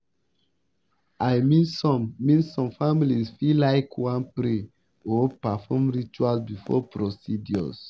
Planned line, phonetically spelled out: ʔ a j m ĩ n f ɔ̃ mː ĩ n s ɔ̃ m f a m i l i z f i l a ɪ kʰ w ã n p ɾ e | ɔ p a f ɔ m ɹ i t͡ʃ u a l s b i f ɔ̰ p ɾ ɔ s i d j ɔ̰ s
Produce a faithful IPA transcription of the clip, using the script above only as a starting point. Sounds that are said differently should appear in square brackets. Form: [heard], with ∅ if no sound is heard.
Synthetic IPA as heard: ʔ a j m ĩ n [s] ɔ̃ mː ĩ n s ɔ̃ m f a m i l i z f i l a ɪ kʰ w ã n p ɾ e | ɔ p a f ɔ m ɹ i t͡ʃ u a l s b i f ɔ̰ p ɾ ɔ s i d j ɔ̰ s